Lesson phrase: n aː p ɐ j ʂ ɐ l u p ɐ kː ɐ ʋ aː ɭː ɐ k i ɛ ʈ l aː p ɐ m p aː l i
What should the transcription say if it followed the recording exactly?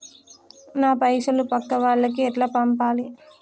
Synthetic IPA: n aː p ɐ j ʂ ɐ l u p ɐ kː ɐ ʋ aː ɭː ɐ k i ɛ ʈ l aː p ɐ m p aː l i